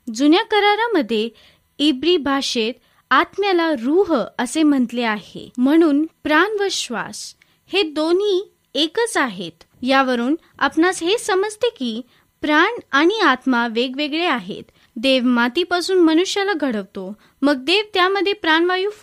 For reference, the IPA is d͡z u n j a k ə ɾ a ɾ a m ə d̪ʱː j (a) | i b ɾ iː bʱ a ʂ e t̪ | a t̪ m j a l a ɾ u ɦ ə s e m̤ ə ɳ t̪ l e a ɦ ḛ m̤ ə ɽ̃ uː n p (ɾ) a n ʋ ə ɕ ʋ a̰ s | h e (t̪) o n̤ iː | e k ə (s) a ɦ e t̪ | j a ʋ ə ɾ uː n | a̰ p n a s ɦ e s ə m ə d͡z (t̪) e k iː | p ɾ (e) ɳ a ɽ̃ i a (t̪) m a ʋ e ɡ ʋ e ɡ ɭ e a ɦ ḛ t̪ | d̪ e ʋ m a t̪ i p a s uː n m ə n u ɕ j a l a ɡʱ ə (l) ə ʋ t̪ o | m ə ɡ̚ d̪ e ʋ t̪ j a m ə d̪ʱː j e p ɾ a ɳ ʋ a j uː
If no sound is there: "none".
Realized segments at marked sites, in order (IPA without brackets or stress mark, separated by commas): e, ɾ, d̪, t͡s, t̪, a, t̪, ɽ